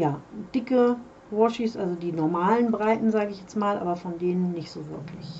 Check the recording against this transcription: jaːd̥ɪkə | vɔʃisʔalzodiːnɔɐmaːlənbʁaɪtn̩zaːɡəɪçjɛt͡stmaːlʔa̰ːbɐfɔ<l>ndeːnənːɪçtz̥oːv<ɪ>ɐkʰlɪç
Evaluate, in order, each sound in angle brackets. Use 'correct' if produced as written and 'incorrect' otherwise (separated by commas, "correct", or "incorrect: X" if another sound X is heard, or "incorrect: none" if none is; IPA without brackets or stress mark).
incorrect: none, correct